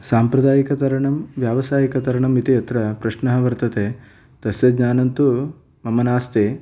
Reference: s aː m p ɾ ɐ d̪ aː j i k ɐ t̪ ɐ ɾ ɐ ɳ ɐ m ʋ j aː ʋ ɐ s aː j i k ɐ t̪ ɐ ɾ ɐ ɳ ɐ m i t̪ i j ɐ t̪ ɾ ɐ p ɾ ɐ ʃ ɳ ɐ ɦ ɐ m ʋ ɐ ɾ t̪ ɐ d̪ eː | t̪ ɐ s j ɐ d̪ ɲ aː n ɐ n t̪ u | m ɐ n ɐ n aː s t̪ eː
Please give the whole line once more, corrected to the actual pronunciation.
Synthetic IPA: s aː m p ɾ ɐ d̪ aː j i k ɐ t̪ ɐ ɾ ɐ ɳ ɐ m ʋ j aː ʋ ɐ s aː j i k ɐ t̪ ɐ ɾ ɐ ɳ ɐ m i t̪ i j ɐ t̪ ɾ ɐ p ɾ ɐ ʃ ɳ ɐ ɦ ɐ ʋ ɐ ɾ t̪ ɐ t̪ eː | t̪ ɐ s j ɐ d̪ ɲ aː n ɐ n t̪ u | m ɐ m ɐ n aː s t̪ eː

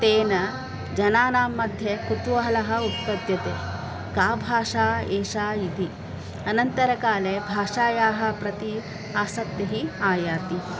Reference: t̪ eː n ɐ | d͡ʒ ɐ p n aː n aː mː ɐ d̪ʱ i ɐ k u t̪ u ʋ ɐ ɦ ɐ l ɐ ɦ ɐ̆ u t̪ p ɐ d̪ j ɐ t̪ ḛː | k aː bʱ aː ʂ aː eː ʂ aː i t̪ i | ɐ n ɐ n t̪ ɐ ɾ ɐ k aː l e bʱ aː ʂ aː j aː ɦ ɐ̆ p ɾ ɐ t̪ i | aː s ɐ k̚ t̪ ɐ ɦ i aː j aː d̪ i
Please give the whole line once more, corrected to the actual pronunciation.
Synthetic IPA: t̪ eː n ɐ | d͡ʒ ɐ n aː n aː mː ɐ d̪ʱ j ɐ k u t̪ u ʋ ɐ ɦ ɐ l ɐ ɦ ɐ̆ u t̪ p ɐ d̪ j ɐ t̪ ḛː | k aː bʱ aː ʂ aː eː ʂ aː i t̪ i | ɐ n ɐ n t̪ ɐ ɾ ɐ k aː l e bʱ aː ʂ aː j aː ɦ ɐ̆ p ɾ ɐ t̪ i | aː s ɐ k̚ t̪ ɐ ɦ i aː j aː t̪ i

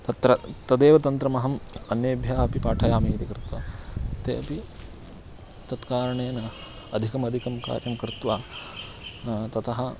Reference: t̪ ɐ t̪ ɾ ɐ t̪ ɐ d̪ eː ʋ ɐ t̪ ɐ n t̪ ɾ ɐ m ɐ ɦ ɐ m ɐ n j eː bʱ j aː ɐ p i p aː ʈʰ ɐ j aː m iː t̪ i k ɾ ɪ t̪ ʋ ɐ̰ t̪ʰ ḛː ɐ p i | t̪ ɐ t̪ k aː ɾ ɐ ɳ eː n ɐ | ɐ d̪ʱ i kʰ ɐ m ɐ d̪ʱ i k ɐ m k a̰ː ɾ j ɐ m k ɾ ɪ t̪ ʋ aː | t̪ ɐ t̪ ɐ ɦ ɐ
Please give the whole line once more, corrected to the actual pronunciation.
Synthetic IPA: t̪ ɐ t̪ ɾ ɐ t̪ ɐ d̪ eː ʋ ɐ t̪ ɐ n t̪ ɾ ɐ m ɐ ɦ ɐ m ɐ n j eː bʱ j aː ɐ p i p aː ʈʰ ɐ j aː m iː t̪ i k ɾ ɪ t̪ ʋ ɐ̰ t̪ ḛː ɐ p i | t̪ ɐ t̪ k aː ɾ ɐ ɳ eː n ɐ | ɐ d̪ʱ i k ɐ m ɐ d̪ʱ i k ɐ m k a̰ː ɾ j ɐ m k ɾ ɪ t̪ ʋ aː | t̪ ɐ t̪ ɐ ɦ ɐ

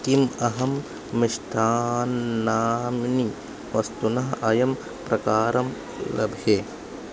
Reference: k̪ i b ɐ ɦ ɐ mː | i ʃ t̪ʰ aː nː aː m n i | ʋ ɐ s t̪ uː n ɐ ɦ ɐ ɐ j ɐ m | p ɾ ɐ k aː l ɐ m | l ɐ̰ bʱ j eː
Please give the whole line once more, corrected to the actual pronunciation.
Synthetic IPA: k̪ i m ɐ ɦ ɐ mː | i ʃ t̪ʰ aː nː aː m n i | ʋ ɐ s t̪ u n ɐ ɦ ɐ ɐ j ɐ m | p ɾ ɐ k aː ɾ ɐ m | l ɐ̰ bʱ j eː

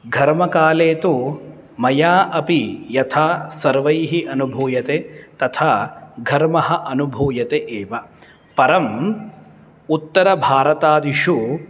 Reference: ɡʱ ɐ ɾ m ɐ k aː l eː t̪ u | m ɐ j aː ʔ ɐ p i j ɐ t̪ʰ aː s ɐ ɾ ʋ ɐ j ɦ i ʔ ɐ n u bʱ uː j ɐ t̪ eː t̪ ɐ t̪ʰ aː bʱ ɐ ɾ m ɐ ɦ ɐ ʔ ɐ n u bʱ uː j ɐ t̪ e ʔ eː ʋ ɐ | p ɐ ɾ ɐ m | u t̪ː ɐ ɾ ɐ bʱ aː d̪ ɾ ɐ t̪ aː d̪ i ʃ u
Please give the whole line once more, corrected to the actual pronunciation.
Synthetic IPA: ɡʱ ɐ ɾ m ɐ k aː l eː t̪ u | m ɐ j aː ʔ ɐ p i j ɐ t̪ʰ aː s ɐ ɾ ʋ ɐ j ɦ i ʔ ɐ n u bʱ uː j ɐ t̪ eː t̪ ɐ t̪ʰ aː ɡʱ ɐ ɾ m ɐ ɦ ɐ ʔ ɐ n u bʱ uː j ɐ t̪ e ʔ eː ʋ ɐ | p ɐ ɾ ɐ m | u t̪ː ɐ ɾ ɐ bʱ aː ɾ ɐ t̪ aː d̪ i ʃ u

